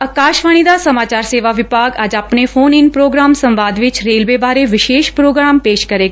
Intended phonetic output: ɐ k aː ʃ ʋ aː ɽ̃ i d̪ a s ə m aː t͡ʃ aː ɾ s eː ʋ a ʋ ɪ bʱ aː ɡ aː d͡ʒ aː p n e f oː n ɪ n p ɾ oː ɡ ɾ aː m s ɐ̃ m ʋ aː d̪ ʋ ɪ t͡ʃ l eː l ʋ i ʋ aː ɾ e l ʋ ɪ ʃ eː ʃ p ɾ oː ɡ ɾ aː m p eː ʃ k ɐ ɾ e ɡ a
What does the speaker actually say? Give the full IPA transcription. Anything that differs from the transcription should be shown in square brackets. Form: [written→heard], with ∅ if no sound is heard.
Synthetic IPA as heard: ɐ k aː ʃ ʋ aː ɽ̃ i d̪ a s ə m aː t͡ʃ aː ɾ s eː ʋ a ʋ ɪ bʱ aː ɡ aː d͡ʒ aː p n e f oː n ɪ n p ɾ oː ɡ ɾ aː m s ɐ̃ m ʋ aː d̪ ʋ ɪ t͡ʃ [l→ɾ] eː l ʋ [i→e] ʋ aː ɾ e [l→∅] ʋ ɪ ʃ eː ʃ p ɾ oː ɡ ɾ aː m p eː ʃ k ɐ ɾ e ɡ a